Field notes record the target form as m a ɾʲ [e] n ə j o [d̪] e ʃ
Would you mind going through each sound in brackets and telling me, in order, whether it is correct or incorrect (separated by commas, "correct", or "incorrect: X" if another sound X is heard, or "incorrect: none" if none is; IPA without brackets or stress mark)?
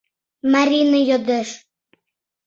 incorrect: i, correct